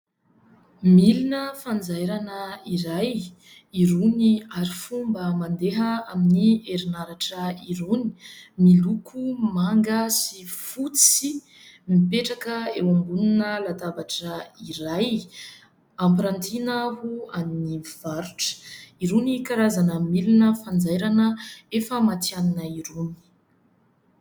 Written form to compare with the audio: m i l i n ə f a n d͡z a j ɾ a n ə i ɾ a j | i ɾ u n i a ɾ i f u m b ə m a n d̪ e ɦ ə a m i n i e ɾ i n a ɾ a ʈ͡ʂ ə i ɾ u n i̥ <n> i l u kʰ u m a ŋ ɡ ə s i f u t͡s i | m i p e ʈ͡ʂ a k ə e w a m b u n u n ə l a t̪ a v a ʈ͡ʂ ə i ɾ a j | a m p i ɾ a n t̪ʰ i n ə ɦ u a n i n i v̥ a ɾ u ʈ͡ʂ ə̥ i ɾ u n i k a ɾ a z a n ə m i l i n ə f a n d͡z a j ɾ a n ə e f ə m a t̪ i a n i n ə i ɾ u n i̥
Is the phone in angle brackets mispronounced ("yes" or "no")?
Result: yes